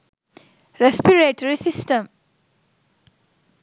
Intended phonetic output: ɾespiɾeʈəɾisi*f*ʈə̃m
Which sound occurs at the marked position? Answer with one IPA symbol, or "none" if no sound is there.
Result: s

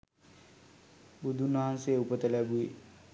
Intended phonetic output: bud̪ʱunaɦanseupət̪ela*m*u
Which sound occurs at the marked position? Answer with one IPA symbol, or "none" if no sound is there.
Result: b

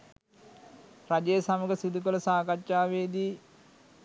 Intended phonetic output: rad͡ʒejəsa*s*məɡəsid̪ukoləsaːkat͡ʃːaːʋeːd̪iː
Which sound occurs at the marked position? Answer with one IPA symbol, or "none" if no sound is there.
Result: none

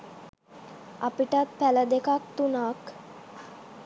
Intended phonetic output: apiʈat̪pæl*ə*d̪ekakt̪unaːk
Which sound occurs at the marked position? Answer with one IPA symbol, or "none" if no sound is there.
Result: ə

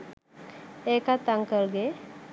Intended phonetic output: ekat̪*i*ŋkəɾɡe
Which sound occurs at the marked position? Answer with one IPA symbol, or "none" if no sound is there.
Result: a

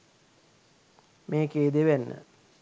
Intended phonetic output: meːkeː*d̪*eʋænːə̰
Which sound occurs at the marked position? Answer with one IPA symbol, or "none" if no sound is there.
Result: d̪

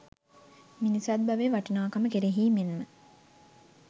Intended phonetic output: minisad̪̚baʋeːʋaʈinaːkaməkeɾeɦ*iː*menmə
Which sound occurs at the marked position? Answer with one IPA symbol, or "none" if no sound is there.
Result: iː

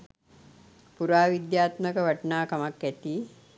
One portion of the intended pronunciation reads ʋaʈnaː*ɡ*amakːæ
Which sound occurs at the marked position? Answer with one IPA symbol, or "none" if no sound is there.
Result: k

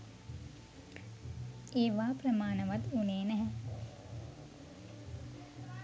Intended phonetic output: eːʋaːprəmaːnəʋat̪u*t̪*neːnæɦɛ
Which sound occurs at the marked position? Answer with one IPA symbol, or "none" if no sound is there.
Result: none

